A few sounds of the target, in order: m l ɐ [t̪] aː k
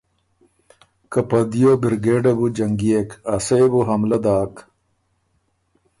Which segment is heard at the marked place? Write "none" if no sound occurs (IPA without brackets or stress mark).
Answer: d̪